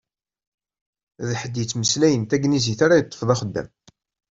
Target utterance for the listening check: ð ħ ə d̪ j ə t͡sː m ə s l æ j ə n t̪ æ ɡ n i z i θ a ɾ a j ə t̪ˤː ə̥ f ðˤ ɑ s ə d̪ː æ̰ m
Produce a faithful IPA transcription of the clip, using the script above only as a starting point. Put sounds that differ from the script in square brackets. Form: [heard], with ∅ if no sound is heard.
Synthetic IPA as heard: ð ħ ə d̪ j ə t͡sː m ə s l æ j ə n t̪ æ ɡ n i z i θ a ɾ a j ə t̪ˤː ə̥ f ðˤ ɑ [χ] ə d̪ː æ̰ m